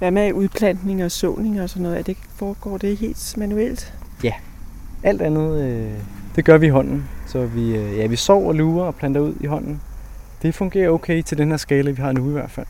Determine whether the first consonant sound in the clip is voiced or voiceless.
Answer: voiced